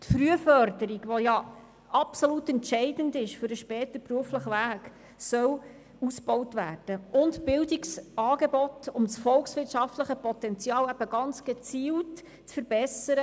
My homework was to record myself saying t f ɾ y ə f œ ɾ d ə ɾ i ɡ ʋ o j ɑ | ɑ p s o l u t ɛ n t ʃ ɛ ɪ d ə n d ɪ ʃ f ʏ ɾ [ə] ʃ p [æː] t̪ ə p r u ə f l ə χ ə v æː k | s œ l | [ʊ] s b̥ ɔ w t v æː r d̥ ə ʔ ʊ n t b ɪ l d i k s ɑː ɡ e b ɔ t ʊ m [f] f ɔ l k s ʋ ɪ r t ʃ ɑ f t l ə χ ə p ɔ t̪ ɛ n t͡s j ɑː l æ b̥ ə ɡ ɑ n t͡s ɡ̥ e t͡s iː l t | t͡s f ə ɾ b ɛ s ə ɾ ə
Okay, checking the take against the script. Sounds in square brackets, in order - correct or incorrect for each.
correct, incorrect, incorrect, incorrect

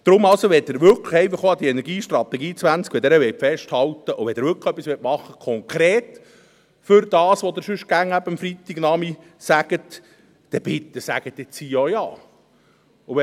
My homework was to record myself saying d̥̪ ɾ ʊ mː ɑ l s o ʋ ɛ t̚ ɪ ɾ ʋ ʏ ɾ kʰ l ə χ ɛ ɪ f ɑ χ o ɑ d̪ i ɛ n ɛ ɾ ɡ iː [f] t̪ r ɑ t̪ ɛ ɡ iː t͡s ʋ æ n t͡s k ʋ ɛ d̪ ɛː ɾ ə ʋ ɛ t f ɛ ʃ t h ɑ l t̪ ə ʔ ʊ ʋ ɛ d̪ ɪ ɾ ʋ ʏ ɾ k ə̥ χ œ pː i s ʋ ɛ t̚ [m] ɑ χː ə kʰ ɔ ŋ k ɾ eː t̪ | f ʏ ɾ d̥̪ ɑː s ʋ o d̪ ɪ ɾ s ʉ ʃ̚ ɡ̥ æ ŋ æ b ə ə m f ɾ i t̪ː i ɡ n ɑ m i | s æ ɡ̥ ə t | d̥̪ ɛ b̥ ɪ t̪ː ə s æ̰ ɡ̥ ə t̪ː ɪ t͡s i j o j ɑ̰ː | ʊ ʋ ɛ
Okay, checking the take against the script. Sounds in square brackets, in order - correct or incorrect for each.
incorrect, correct

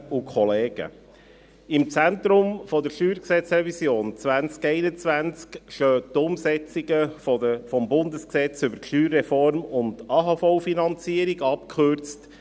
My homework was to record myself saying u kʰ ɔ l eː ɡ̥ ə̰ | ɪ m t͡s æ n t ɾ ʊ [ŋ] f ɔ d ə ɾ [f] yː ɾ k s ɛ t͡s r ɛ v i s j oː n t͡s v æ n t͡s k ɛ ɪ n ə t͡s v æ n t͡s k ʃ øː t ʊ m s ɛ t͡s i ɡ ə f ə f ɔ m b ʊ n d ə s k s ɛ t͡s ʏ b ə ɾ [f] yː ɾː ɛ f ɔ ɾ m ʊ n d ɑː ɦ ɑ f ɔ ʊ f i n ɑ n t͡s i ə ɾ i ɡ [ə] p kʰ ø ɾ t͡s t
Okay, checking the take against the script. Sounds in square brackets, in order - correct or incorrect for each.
incorrect, incorrect, incorrect, incorrect

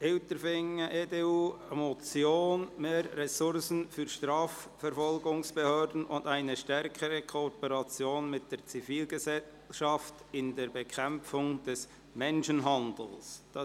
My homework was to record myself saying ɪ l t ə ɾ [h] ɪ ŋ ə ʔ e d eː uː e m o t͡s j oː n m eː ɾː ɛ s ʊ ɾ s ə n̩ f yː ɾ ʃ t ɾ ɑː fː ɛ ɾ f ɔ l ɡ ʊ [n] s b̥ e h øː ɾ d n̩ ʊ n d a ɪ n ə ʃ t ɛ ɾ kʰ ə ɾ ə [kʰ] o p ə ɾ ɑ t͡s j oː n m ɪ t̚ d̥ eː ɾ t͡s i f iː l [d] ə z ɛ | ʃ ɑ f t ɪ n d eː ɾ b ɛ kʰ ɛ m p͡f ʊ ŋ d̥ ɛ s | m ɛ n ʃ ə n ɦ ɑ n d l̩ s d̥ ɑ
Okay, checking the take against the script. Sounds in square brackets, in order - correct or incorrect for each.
incorrect, incorrect, correct, incorrect

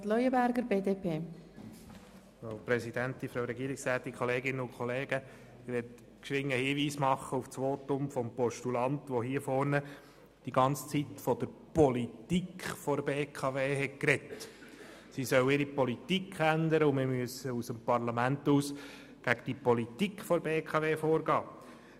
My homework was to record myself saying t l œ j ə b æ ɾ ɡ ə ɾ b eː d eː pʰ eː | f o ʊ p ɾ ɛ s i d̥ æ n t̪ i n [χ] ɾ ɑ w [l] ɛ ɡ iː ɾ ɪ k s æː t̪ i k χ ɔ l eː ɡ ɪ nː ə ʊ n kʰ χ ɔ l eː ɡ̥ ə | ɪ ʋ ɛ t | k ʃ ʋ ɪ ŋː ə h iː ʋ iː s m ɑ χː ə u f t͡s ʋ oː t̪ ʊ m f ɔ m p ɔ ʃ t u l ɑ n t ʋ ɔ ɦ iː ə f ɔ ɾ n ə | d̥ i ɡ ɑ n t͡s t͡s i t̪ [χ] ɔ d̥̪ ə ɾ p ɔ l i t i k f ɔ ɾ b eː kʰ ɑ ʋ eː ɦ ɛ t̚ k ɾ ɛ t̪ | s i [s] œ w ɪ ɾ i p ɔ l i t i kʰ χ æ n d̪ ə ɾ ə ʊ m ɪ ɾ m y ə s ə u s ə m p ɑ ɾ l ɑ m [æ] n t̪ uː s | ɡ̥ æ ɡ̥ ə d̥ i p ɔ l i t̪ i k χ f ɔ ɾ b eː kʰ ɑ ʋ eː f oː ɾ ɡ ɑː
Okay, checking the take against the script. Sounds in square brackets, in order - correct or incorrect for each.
incorrect, incorrect, incorrect, correct, correct

